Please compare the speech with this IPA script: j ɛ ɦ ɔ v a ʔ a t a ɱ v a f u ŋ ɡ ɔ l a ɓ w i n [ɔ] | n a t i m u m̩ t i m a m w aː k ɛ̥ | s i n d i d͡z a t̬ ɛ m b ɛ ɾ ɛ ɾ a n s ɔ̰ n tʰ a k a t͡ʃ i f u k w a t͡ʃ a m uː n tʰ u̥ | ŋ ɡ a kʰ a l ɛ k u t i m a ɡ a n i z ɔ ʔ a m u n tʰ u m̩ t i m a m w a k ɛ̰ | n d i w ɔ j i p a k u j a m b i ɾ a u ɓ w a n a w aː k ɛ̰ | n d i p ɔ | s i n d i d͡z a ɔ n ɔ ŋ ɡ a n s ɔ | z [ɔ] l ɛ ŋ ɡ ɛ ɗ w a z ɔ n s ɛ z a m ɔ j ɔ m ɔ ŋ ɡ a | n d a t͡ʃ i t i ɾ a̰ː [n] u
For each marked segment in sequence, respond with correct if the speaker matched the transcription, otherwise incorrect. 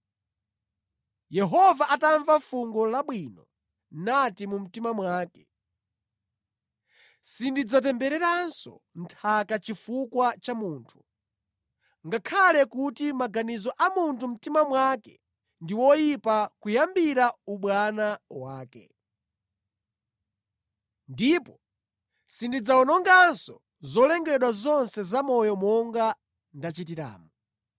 correct, correct, incorrect

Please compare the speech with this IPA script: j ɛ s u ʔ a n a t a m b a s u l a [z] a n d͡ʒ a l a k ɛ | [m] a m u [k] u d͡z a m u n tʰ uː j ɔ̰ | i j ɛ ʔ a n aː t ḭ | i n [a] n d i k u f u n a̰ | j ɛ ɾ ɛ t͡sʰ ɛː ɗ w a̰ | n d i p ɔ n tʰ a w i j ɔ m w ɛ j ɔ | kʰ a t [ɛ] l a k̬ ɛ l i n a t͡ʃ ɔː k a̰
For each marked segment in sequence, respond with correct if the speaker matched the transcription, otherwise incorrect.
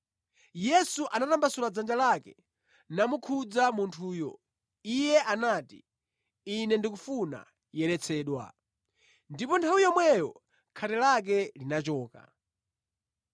incorrect, incorrect, incorrect, incorrect, correct

